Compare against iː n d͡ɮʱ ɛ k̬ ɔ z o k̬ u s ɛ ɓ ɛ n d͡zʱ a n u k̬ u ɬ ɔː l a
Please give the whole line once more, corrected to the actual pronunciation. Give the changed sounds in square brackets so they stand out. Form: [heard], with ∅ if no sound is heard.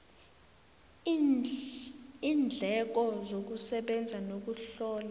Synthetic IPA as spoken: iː n d͡ɮʱ ɛ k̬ ɔ z o k̬ u s ɛ ɓ ɛ n d͡zʱ a n [o] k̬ u ɬ ɔː l a